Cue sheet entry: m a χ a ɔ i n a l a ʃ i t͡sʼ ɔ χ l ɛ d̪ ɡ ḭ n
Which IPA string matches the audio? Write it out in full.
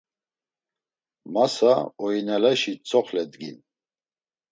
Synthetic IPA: m a s a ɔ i n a l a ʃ i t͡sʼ ɔ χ l ɛ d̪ ɡ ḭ n